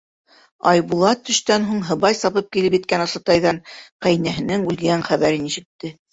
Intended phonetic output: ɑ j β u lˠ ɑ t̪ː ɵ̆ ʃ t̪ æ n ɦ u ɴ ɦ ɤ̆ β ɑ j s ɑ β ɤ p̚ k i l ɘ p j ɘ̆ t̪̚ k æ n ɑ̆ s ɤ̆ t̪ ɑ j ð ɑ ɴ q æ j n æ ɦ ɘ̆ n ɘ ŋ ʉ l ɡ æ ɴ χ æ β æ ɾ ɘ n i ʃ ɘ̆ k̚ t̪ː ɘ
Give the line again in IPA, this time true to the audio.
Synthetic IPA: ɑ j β u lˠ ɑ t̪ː ɵ̆ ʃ t̪ æ n ɦ u ɴ ɦ ɤ̆ β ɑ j s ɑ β ɤ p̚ k i l ɘ p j ɘ̆ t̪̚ k æ n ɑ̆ s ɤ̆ t̪ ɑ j ð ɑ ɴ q æ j n æ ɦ ɘ̆ n ɘ ŋ ʉ l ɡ æ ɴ χ æ β æ ɾ ɘ n i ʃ ɘ̆ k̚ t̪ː ɘ

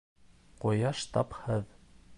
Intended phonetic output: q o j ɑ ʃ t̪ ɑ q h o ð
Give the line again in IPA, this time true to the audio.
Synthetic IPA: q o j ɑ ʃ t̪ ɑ p h ɤ ð

